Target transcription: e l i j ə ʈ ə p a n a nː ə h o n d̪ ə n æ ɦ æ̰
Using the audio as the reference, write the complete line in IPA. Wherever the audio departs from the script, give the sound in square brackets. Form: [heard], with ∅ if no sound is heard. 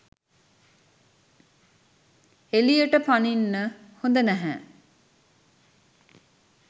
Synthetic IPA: e l i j ə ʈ ə p a n [i] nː ə h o n d̪ ə n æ ɦ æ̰